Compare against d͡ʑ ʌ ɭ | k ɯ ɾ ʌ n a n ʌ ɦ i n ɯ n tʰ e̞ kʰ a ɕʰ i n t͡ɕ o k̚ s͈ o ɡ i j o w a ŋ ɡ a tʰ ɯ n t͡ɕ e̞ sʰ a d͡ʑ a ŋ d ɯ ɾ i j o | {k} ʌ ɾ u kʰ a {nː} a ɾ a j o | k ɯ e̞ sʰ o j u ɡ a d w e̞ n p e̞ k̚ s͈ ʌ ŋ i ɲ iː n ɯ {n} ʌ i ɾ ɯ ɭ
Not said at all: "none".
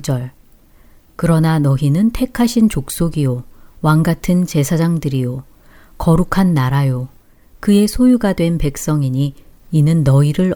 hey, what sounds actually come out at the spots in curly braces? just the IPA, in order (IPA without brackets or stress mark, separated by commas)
k, nː, nː